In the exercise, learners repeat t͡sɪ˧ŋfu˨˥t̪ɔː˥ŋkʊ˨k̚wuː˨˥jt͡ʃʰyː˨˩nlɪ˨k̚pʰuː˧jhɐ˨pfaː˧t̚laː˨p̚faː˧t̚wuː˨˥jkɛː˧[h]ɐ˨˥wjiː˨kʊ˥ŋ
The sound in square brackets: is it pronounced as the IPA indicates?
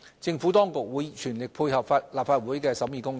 no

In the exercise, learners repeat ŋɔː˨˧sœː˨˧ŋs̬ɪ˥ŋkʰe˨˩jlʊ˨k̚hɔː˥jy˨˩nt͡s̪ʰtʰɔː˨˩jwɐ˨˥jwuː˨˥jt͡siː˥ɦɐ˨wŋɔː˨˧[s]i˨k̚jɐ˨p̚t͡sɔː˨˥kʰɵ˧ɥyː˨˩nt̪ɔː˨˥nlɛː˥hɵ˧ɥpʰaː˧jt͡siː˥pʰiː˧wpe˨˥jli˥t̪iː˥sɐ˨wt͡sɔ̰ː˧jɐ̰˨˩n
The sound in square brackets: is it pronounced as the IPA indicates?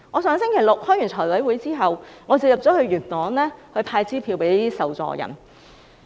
no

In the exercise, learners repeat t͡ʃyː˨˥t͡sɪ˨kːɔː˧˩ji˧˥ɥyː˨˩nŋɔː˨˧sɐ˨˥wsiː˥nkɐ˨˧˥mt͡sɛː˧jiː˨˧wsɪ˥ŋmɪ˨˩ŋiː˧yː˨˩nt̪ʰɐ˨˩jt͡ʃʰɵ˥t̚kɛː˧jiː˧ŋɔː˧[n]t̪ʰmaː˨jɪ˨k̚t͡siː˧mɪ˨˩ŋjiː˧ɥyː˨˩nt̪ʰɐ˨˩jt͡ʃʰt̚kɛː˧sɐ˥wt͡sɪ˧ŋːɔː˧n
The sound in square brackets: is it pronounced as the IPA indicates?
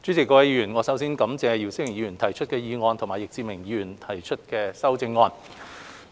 yes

